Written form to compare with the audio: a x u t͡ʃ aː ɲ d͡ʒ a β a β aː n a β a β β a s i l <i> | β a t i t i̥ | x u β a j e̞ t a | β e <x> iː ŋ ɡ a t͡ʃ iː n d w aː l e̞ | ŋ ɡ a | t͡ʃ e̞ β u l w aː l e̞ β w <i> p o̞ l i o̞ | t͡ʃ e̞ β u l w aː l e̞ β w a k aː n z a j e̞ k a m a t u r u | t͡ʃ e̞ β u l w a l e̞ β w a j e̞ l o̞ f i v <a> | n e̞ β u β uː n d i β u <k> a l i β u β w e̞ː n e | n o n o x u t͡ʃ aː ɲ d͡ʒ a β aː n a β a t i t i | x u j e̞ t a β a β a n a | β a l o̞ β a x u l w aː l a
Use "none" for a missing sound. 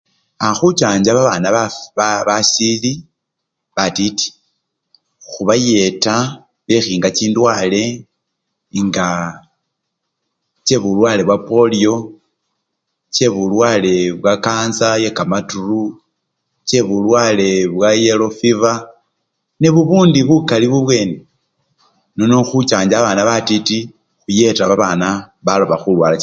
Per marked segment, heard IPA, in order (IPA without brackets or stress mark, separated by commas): i, x, a, a, k